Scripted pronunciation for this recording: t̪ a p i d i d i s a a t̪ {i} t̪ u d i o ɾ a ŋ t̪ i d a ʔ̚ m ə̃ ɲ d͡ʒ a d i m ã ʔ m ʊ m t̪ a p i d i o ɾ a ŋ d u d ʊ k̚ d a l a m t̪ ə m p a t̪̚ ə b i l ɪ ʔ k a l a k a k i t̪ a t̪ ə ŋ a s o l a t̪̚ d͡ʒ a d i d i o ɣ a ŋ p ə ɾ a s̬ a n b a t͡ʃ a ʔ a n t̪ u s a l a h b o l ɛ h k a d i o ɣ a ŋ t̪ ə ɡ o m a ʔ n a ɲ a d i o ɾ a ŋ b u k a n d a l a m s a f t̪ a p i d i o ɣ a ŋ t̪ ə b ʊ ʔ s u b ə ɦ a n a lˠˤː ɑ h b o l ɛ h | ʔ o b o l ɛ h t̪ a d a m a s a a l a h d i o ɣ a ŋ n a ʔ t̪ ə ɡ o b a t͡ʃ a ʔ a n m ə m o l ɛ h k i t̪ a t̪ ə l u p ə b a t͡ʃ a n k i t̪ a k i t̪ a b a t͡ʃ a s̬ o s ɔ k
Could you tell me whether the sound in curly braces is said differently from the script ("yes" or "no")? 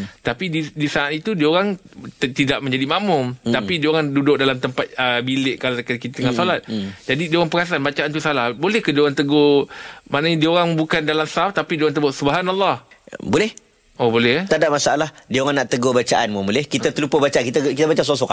no